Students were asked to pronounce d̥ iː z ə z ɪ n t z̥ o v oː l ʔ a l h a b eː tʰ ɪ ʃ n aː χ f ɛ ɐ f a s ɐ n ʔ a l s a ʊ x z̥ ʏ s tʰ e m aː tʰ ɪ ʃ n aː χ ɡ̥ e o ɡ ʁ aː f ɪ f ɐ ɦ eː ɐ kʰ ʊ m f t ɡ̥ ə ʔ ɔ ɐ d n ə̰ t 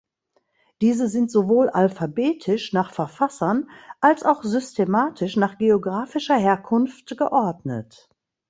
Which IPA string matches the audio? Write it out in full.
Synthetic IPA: d̥ iː z ə z ɪ n t z̥ o v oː l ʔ a l f a b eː tʰ ɪ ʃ n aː χ f ɛ ɐ f a s ɐ n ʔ a l s a ʊ x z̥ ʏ s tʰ e m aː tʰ ɪ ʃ n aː χ ɡ̥ e o ɡ ʁ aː f ɪ ʃ ɐ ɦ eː ɐ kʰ ʊ n f t ɡ̥ ə ʔ ɔ ɐ d n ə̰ t